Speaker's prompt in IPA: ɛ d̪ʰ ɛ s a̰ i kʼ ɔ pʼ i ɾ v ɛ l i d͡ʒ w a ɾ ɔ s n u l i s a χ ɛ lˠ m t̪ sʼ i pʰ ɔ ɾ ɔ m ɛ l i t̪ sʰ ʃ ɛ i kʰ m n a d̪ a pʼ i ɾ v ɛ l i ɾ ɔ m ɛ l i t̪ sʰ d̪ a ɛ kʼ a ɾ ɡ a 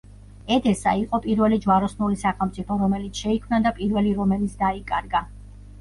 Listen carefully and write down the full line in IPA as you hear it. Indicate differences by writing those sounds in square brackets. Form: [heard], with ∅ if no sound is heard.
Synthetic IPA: ɛ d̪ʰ ɛ s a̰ i [qʼ] ɔ pʼ i ɾ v ɛ l i d͡ʒ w a ɾ ɔ s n u l i s a χ ɛ lˠ m t̪ sʼ i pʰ ɔ ɾ ɔ m ɛ l i t̪ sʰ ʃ ɛ i kʰ m n a d̪ a pʼ i ɾ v ɛ l i ɾ ɔ m ɛ l i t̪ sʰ d̪ a [i] kʼ a ɾ ɡ a